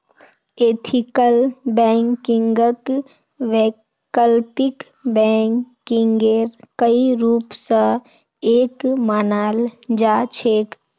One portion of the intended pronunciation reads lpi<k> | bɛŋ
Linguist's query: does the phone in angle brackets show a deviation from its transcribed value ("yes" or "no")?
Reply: no